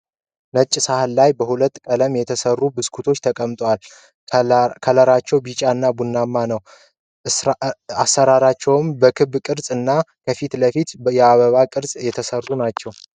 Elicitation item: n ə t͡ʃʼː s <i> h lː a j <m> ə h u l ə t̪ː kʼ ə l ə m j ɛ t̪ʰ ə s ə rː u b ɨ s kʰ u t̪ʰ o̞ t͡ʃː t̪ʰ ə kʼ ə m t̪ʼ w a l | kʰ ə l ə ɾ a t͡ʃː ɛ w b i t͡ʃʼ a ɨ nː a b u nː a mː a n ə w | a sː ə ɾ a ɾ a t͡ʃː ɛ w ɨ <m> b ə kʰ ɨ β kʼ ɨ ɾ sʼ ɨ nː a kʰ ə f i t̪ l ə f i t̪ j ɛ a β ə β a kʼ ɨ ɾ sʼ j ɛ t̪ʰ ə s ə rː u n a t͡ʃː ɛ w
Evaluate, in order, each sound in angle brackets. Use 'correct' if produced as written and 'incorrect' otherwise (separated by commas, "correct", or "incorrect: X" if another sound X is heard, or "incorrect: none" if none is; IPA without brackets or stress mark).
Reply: incorrect: a, incorrect: b, correct